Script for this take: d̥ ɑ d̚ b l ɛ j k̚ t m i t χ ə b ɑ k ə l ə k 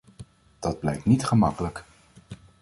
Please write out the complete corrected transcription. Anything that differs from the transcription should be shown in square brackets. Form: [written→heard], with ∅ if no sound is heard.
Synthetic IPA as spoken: d̥ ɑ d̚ b l ɛ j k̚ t [m→n] i t χ ə [b→m] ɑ k ə l ə k